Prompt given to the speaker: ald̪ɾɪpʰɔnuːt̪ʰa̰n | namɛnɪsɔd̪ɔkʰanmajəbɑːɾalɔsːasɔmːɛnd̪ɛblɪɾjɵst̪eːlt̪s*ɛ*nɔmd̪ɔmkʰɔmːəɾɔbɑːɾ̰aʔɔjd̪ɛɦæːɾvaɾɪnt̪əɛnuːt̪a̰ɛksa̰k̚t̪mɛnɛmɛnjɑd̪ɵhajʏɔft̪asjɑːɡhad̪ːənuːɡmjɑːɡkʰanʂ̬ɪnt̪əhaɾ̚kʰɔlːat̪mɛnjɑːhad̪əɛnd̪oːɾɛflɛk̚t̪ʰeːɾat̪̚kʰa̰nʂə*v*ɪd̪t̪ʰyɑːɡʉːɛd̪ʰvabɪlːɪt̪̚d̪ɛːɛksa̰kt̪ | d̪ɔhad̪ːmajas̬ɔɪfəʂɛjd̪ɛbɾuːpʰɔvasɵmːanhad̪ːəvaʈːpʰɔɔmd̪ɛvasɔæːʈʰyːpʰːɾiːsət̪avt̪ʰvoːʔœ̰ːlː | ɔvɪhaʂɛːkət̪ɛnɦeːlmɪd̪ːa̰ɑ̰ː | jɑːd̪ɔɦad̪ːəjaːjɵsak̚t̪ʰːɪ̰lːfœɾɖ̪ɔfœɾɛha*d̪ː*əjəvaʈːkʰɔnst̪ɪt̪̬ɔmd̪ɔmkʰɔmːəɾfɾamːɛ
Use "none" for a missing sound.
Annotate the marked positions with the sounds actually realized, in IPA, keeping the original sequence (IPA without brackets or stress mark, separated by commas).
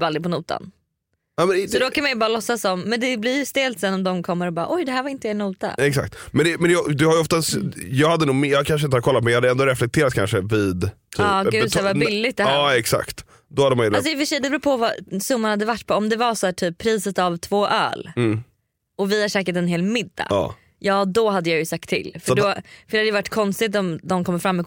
ɛ, v, d̪